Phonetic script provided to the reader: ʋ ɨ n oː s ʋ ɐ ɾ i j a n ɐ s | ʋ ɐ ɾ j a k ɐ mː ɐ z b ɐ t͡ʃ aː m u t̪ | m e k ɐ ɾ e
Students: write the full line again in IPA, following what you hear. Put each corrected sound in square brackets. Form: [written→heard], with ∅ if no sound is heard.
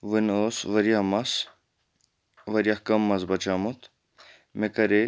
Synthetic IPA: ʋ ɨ n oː s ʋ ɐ ɾ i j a [n→m] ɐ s | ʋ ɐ ɾ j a k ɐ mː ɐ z b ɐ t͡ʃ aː m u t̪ | m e k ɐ ɾ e

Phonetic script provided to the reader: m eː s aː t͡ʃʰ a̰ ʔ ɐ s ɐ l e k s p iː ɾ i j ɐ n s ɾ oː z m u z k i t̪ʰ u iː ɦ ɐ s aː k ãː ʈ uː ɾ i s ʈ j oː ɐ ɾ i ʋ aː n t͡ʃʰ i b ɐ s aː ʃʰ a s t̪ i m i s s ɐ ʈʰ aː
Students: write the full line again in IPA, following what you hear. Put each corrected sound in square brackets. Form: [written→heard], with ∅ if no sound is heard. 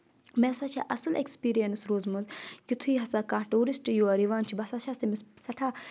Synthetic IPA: m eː s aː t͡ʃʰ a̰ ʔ ɐ s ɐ l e k s p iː ɾ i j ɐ n s ɾ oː z m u z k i t̪ʰ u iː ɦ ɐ s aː k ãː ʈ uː ɾ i s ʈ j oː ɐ ɾ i ʋ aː n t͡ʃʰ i b ɐ s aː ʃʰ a s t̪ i m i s s ɐ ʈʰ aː

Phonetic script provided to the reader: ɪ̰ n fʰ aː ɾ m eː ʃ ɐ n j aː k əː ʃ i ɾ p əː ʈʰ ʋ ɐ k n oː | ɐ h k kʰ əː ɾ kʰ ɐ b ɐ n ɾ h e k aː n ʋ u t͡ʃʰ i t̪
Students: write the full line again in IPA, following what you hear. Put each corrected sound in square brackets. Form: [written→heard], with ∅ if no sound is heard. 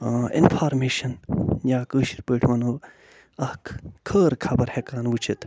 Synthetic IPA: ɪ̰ n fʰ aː ɾ m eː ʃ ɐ n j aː k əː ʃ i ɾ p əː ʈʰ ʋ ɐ [k→∅] n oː | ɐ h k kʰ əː ɾ kʰ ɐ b ɐ [n→∅] ɾ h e k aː n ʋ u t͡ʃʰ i t̪

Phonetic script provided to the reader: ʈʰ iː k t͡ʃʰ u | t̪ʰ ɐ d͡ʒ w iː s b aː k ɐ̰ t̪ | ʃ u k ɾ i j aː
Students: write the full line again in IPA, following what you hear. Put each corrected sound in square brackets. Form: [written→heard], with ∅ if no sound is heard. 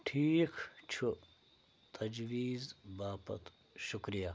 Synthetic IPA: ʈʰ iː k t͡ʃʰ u | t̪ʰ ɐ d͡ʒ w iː [s→z] b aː [k→p] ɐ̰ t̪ | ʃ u k ɾ i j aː

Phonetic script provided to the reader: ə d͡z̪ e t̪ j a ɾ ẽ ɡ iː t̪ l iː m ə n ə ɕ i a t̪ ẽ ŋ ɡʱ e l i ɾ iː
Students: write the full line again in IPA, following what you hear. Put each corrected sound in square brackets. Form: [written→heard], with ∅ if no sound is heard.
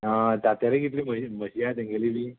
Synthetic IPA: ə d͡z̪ [e→a] t̪ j a ɾ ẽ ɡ [iː→i] t̪ l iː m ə [n→m] ə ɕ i a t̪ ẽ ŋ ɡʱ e l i [ɾ→l] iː

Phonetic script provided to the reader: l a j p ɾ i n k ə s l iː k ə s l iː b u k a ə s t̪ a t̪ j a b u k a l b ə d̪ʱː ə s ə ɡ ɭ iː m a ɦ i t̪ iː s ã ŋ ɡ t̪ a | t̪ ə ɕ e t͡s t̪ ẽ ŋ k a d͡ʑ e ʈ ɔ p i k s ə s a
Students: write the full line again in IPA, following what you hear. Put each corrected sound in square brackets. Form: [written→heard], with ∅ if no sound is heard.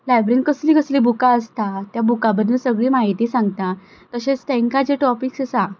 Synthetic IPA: l a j [p→b] ɾ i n k ə s l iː k ə s l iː b u k a ə s t̪ a t̪ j a b u k a [l→∅] b ə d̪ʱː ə s ə ɡ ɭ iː m a ɦ i t̪ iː s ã ŋ ɡ t̪ a | t̪ ə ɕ e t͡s t̪ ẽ ŋ k a d͡ʑ e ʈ ɔ p i k s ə s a

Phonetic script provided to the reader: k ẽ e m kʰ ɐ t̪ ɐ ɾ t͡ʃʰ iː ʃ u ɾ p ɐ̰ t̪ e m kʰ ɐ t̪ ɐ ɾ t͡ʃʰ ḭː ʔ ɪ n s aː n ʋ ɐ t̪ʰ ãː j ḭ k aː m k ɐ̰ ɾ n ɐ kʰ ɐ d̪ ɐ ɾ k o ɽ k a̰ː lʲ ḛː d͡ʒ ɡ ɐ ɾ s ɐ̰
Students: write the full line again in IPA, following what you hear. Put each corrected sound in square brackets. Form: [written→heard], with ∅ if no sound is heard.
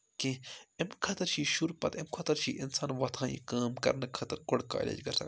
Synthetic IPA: k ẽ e m kʰ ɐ t̪ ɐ ɾ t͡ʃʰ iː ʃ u ɾ p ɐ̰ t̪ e m kʰ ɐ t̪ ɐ ɾ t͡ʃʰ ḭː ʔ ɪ n s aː n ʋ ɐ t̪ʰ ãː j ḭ k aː m k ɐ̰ ɾ n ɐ kʰ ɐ [d̪→t̪] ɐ ɾ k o ɽ k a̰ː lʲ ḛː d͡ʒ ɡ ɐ ɾ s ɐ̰

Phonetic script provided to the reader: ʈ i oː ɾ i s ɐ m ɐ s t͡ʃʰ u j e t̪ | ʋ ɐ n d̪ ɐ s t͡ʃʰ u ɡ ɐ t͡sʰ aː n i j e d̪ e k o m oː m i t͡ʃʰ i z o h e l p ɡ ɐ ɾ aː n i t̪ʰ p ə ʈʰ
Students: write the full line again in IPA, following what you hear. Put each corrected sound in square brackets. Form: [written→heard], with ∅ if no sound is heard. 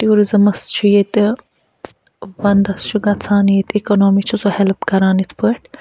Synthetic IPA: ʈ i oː ɾ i [s→z] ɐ m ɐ s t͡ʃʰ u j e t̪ | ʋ ɐ n d̪ ɐ s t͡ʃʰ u ɡ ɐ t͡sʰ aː n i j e [d̪→t̪] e k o [m→n] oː m i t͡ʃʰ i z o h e l p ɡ ɐ ɾ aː n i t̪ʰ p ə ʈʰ

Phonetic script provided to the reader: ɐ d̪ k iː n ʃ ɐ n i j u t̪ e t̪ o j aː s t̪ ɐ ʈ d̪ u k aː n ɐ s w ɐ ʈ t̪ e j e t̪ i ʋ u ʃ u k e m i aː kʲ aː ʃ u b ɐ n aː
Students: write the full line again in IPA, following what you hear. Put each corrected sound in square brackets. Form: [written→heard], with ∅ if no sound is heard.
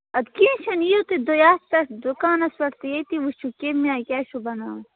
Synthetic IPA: ɐ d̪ k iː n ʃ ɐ n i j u t̪ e [t̪→d̪] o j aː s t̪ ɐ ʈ d̪ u k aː n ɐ s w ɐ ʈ t̪ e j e t̪ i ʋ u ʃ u k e m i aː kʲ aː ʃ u b ɐ n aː

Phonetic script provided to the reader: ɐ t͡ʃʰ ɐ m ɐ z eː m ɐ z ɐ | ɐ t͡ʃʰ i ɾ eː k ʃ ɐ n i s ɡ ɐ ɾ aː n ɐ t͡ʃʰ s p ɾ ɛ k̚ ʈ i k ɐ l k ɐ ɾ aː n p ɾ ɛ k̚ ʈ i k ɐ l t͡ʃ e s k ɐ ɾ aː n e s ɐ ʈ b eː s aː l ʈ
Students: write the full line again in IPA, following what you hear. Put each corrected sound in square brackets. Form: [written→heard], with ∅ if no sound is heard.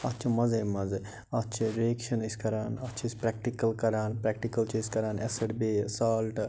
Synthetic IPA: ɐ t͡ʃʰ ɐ m ɐ z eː m ɐ z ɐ | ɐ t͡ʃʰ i ɾ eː k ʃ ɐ n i s [ɡ→k] ɐ ɾ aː n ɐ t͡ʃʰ s p ɾ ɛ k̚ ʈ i k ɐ l k ɐ ɾ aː n p ɾ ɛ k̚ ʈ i k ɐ l t͡ʃ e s k ɐ ɾ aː n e s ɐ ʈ b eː s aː l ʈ

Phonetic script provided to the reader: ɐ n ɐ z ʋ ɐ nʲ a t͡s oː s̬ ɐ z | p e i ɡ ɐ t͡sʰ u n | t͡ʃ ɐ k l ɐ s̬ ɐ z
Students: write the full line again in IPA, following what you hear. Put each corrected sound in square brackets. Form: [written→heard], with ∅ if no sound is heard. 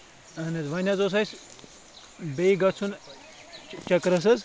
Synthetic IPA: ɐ n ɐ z ʋ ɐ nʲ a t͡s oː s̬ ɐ [z→s] | [p→b] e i ɡ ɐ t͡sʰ u n | t͡ʃ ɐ k [l→ɾ] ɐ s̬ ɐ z

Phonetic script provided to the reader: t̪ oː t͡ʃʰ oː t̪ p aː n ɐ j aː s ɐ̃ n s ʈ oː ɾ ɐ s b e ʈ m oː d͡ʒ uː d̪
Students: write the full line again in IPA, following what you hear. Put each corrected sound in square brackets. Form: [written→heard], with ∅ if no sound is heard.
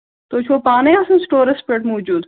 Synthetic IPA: t̪ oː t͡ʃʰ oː [t̪→∅] p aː n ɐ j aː s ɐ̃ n s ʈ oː ɾ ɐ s [b→p] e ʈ m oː d͡ʒ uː d̪

